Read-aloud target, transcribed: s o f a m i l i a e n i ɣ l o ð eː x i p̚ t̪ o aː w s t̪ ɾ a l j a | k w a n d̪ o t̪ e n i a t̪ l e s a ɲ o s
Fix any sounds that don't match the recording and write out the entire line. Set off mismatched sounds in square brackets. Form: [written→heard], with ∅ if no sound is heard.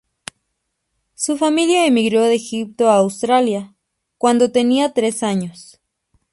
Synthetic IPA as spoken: s [o→u] f a m i l [i→j] a e [n→m] i ɣ [l→ɾ] o ð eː x i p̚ t̪ o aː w s t̪ ɾ a l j a | k w a n d̪ o t̪ e n i a t̪ [l→ɾ] e s a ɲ o s